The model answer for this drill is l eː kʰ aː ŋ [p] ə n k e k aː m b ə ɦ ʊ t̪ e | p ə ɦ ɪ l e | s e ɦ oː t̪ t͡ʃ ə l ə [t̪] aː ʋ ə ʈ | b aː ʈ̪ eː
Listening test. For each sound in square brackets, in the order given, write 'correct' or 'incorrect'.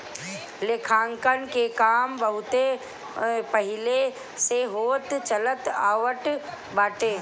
incorrect: k, correct

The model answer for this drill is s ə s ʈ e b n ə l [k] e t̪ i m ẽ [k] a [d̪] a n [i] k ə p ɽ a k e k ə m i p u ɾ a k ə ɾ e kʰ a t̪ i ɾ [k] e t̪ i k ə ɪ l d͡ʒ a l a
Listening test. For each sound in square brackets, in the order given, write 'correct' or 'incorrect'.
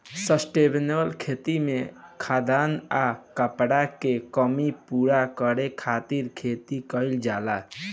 incorrect: kʰ, incorrect: kʰ, correct, incorrect: a, incorrect: kʰ

